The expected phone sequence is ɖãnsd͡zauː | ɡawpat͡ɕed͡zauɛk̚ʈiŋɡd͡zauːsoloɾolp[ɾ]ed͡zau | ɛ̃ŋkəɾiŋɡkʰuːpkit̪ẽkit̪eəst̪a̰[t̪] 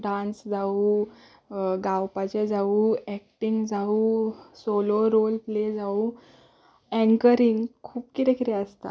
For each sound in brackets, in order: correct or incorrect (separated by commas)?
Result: incorrect, incorrect